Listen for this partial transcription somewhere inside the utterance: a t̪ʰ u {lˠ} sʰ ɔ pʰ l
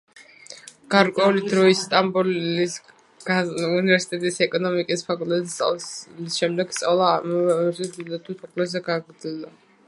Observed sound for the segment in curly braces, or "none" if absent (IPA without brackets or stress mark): none